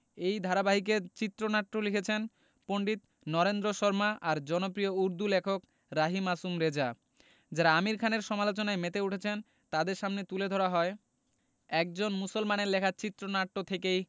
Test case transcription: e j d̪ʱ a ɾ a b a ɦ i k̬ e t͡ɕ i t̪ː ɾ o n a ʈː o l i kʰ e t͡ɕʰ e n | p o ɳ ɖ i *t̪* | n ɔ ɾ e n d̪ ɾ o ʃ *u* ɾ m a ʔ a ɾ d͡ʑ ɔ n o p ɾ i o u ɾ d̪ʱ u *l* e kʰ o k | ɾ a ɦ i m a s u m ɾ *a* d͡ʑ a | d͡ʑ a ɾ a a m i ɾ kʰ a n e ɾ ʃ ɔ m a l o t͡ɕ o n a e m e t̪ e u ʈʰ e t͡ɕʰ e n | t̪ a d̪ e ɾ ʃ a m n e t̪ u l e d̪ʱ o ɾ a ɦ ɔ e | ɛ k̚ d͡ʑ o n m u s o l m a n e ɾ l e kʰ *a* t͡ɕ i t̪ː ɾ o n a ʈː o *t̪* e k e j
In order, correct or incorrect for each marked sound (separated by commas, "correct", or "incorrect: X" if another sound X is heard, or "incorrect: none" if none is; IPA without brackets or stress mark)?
correct, incorrect: ɔ, correct, incorrect: e, correct, incorrect: t̪ʰ